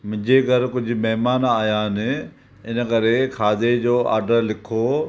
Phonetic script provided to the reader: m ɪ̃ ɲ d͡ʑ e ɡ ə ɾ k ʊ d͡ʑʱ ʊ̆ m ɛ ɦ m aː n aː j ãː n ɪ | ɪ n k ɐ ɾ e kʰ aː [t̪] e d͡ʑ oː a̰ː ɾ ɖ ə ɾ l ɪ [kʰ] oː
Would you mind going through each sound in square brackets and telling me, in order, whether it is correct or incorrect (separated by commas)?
incorrect, correct